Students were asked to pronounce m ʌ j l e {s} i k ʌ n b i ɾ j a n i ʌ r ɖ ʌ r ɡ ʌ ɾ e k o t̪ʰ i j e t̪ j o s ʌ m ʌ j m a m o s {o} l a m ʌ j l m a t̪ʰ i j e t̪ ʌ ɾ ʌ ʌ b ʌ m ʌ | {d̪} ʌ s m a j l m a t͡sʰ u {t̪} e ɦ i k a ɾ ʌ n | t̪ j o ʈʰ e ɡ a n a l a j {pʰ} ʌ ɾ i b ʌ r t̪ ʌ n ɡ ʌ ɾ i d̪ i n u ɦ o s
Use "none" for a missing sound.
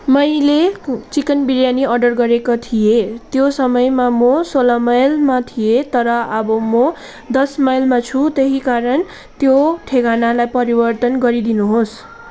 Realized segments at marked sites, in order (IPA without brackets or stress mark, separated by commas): t͡s, o, d̪, t̪, p